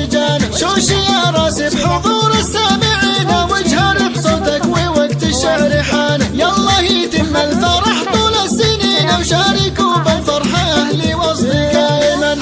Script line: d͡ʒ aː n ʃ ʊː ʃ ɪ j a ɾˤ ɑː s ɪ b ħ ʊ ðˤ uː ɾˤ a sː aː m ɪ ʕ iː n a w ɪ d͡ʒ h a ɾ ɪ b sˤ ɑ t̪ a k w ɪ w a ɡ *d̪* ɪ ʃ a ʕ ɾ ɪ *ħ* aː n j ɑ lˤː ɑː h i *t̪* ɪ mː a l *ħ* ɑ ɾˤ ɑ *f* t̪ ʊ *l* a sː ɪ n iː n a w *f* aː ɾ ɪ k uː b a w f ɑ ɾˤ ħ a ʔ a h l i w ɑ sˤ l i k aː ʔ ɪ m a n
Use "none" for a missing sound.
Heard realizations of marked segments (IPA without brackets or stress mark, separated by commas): t̪, ħ, t̪, f, ħ, l, ʃ